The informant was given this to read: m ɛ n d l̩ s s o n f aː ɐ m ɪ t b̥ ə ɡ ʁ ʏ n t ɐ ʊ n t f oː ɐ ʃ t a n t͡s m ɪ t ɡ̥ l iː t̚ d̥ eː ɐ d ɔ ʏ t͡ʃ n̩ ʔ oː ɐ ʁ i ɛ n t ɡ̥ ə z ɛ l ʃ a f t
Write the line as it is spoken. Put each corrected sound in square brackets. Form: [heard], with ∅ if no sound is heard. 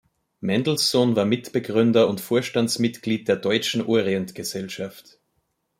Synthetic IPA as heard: m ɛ n d l̩ s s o n [v] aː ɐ m ɪ t b̥ ə ɡ ʁ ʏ n [d] ɐ ʊ n t f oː ɐ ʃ t a n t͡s m ɪ t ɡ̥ l iː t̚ d̥ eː ɐ d ɔ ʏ t͡ʃ n̩ ʔ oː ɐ ʁ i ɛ n t ɡ̥ ə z ɛ l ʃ a f t